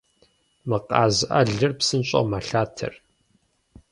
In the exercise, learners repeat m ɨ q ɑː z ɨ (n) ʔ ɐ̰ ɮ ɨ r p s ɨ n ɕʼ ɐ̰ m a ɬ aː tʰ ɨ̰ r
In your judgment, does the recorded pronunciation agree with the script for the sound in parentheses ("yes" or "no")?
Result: no